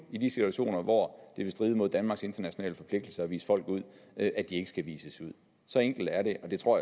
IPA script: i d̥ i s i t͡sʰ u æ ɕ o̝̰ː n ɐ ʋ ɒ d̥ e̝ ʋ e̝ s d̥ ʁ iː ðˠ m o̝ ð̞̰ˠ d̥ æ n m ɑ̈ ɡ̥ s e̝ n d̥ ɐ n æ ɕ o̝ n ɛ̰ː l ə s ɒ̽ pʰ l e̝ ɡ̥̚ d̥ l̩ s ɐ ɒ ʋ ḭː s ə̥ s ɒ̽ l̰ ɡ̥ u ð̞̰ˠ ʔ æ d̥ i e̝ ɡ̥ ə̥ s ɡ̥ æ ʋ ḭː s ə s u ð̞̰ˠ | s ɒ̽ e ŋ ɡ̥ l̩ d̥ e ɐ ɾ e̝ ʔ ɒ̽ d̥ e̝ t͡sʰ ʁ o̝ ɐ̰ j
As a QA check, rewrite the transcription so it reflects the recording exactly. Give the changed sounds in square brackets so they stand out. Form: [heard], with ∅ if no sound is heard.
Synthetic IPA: i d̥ i s i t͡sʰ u æ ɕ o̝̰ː n ɐ ʋ ɒ d̥ e̝ ʋ e̝ s d̥ ʁ iː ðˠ m o̝ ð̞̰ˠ d̥ æ n m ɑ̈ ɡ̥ s e̝ n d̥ ɐ n æ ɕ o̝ n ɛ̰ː l ə [f] ɒ̽ pʰ l e̝ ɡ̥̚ d̥ l̩ s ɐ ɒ ʋ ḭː s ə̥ [f] ɒ̽ l̰ ɡ̥ u ð̞̰ˠ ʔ æ d̥ i e̝ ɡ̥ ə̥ s ɡ̥ æ ʋ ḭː s ə s u ð̞̰ˠ | s ɒ̽ e ŋ ɡ̥ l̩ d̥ [æ] ɐ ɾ e̝ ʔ ɒ̽ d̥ e̝ t͡sʰ ʁ o̝ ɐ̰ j

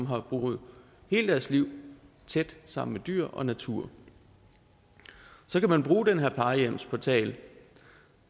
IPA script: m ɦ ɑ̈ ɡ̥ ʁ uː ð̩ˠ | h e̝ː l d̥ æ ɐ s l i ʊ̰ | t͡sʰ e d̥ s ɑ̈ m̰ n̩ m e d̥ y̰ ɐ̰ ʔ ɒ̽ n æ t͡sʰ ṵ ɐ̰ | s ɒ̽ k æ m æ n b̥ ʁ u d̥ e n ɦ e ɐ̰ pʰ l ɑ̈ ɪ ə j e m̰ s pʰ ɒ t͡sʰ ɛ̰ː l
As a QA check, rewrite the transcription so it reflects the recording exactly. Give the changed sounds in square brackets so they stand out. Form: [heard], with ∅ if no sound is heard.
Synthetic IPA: m ɦ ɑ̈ [b̥] ʁ uː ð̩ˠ | h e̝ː l d̥ æ ɐ s l i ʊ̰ | t͡sʰ e d̥ s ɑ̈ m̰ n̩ m e d̥ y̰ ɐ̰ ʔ ɒ̽ n æ t͡sʰ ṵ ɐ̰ | s ɒ̽ k æ m æ n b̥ ʁ [uː] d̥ e n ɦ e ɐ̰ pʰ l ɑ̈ ɪ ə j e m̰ s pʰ ɒ t͡sʰ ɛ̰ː l

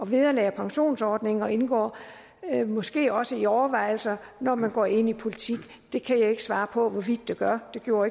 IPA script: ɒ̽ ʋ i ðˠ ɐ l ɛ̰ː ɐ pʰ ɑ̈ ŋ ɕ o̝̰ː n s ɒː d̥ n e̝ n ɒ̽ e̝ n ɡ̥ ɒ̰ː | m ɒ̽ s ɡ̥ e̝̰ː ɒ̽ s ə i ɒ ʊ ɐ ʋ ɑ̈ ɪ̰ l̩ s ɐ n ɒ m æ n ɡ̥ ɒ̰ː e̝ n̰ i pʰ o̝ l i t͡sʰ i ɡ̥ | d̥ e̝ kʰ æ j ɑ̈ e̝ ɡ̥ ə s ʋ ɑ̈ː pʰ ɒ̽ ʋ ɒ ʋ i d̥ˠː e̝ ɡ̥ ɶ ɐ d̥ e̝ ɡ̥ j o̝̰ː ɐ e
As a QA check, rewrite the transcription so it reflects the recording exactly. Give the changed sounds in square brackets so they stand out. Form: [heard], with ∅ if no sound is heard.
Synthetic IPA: ɒ̽ ʋ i ðˠ ɐ l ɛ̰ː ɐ pʰ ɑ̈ ŋ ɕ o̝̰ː n s ɒː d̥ n e̝ [ŋ] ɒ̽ e̝ n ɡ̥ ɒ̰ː | m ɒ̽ s ɡ̥ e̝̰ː ɒ̽ s ə i ɒ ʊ ɐ ʋ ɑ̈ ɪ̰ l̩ s ɐ n ɒ m æ n ɡ̥ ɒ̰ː e̝ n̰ i pʰ o̝ l i t͡sʰ i ɡ̥ | d̥ e̝ kʰ æ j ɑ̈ e̝ ɡ̥ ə s ʋ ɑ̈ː pʰ ɒ̽ ʋ ɒ ʋ i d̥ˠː e̝ ɡ̥ ɶ ɐ d̥ e̝ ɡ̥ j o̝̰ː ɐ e

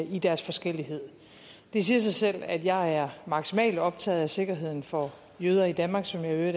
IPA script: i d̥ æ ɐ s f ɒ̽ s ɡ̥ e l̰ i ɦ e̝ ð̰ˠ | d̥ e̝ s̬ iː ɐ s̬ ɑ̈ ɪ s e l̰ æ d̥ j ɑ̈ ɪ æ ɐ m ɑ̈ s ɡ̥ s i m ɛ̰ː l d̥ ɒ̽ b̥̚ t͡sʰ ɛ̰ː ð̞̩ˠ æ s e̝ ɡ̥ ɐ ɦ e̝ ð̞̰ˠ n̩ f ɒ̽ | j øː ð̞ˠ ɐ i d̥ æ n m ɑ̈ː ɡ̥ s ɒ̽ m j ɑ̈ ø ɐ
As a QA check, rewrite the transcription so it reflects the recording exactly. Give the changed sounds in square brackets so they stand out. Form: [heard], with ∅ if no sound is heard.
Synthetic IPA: i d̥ æ ɐ s f ɒ̽ s ɡ̥ e l̰ i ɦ e̝ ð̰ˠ | d̥ e̝ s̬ iː ɐ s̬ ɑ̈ ɪ s e l̰ æ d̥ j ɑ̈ ɪ æ ɐ m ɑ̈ [∅] ɡ̥ s i m ɛ̰ː l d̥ ɒ̽ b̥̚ t͡sʰ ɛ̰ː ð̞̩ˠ æ s e̝ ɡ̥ ɐ ɦ e̝ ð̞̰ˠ n̩ f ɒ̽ | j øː ð̞ˠ ɐ i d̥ æ n m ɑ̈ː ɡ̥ s ɒ̽ m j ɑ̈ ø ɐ

